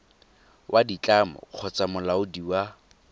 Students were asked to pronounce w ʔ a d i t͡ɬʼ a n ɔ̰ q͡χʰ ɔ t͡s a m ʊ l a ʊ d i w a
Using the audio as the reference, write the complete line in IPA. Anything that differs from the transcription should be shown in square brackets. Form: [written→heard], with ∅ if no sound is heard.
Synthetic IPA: w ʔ a d i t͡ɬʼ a [n→m] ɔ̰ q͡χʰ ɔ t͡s a m ʊ l a ʊ d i w a